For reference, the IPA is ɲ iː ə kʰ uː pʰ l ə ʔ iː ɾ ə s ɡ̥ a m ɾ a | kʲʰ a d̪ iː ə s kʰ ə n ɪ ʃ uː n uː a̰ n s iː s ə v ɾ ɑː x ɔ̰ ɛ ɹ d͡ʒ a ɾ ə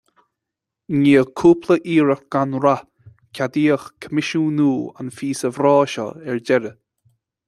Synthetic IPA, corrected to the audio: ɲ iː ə kʰ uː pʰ l ə ʔ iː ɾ ə x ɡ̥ a n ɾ a | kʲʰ a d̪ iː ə x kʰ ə m ɪ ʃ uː n uː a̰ n f iː s ə v ɾ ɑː ʃ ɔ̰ ɛ ɹ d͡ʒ ɛ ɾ ə